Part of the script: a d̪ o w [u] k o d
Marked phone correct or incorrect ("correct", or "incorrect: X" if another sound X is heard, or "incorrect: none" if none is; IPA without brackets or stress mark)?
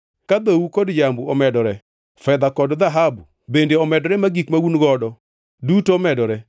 correct